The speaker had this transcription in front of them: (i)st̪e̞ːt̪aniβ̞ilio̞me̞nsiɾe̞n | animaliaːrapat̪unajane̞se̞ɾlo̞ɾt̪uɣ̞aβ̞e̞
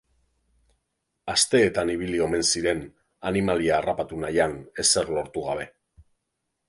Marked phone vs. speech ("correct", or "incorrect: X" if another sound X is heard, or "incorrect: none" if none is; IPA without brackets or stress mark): incorrect: a